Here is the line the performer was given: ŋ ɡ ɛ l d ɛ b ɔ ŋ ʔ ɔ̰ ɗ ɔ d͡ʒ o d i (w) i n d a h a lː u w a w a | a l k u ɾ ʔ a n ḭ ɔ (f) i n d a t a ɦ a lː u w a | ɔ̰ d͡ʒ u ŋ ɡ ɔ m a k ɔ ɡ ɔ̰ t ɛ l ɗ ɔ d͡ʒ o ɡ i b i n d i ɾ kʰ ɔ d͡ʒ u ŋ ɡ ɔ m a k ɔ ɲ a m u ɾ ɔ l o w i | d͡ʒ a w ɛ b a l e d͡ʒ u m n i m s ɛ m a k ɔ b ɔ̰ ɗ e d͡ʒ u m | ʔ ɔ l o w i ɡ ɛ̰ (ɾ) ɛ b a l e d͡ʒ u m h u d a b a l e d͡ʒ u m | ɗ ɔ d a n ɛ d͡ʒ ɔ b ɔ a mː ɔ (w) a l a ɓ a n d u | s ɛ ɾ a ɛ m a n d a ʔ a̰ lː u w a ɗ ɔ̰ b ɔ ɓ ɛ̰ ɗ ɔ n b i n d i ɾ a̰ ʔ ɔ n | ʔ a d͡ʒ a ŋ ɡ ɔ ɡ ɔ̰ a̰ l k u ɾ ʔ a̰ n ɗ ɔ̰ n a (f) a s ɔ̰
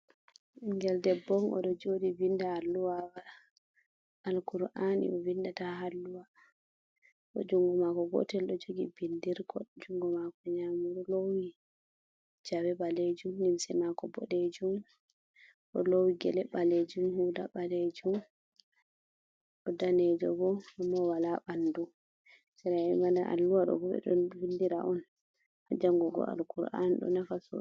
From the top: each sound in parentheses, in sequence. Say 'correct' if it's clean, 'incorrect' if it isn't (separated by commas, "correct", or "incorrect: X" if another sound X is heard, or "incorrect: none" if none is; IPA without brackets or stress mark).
incorrect: v, incorrect: v, incorrect: l, correct, correct